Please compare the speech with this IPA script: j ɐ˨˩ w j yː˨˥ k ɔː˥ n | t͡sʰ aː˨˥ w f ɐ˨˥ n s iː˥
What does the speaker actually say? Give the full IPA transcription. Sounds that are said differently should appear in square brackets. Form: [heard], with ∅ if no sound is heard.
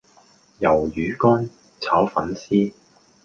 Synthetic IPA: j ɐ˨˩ w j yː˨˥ k ɔː˥ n | t͡sʰ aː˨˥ w f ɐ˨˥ n s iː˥